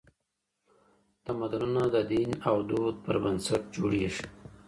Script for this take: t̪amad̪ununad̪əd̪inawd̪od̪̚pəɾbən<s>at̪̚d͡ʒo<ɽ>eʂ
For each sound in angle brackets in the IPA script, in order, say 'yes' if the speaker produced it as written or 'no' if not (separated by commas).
yes, yes